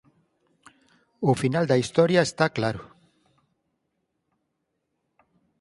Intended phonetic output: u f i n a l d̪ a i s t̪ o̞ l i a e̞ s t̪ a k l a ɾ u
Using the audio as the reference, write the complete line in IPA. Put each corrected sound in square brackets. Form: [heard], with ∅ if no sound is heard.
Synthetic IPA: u f i n a l d̪ a i s t̪ o̞ [ɾ] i a e̞ s t̪ a k l a ɾ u

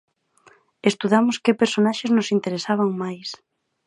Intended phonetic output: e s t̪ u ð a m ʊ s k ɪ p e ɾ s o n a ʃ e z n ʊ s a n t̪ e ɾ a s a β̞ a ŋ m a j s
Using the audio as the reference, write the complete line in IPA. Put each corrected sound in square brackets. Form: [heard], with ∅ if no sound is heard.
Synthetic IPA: e s t̪ u ð a m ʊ s k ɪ p e ɾ s o n a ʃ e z n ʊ s [i] n t̪ e ɾ [e] s a β̞ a ŋ m a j s

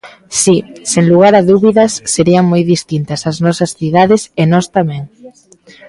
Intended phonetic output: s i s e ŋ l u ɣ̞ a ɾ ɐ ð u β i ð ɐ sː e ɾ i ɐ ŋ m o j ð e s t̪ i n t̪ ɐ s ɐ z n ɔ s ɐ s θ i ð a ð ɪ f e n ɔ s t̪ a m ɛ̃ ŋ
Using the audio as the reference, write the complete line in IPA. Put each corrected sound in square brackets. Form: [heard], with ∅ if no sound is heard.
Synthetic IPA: s i s e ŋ l u ɣ̞ a ɾ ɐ ð u β i ð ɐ sː e ɾ i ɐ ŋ m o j ð [i] s t̪ i n t̪ ɐ s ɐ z n ɔ s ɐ s θ i ð a ð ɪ [s] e n ɔ s t̪ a m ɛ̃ ŋ

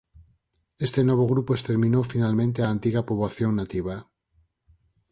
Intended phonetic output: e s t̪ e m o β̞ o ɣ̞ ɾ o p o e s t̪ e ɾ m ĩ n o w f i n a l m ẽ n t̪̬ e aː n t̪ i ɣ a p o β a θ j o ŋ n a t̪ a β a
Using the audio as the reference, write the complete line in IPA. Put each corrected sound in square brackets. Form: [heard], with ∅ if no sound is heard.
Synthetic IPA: e s t̪ e [n] o β̞ o ɣ̞ ɾ [u] p o e s t̪ e ɾ m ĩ n o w f i n a l m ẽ n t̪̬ e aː n t̪ i ɣ a p o β a θ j o ŋ n a t̪ [i] β a

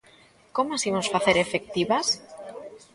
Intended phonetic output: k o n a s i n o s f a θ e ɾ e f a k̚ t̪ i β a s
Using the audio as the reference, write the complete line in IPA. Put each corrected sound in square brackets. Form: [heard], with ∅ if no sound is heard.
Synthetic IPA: k o [m] a s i [m] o s f a θ e ɾ e f [e] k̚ t̪ i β a s

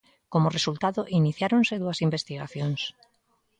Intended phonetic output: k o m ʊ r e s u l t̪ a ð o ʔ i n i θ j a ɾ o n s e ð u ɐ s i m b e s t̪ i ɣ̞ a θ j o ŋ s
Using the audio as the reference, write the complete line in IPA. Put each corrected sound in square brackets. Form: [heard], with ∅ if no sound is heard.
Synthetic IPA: k o m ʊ r e s u l t̪ a ð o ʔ i n i θ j a ɾ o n s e ð u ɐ s i m b e s t̪ i ɣ̞ a θ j o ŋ s

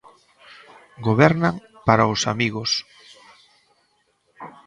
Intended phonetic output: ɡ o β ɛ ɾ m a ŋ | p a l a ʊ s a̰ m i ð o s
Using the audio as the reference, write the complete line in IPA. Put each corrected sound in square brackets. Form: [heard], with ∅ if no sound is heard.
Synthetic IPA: ɡ o β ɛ ɾ [n] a ŋ | p a [ɾ] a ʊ s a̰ m i [ɣ] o s

